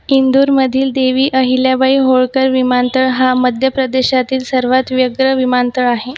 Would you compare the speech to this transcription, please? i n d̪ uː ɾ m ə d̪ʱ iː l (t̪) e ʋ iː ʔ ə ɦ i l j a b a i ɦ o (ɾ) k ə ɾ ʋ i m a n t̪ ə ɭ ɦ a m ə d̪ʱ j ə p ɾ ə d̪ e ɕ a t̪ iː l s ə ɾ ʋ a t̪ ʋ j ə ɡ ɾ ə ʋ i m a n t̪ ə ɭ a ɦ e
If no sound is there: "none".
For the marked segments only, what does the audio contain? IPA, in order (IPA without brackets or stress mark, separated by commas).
d̪, ɭ